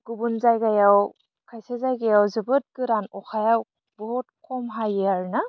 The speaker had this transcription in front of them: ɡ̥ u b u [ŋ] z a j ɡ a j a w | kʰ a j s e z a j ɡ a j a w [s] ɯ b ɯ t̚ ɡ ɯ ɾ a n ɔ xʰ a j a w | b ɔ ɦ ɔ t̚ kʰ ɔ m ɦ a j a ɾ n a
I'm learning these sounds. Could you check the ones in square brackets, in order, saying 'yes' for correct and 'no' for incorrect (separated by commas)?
no, no